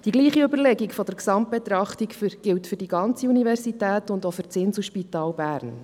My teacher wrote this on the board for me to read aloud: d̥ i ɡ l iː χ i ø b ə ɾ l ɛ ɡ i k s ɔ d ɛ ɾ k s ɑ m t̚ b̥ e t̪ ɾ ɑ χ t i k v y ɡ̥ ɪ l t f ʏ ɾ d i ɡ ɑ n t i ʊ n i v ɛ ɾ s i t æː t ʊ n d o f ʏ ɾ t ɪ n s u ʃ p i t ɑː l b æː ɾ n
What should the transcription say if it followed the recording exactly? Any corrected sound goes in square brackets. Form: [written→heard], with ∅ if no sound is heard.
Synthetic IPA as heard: d̥ i ɡ l iː χ i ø b ə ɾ l ɛ ɡ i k [s→f] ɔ d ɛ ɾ k s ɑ m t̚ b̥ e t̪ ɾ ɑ χ t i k [v→f] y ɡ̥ ɪ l t f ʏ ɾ d i ɡ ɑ n [t→t͡s] i [ʊ→u] n i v ɛ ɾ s i t æː t ʊ n d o f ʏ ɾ [t→t͡s] ɪ n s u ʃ p i t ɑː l b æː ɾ n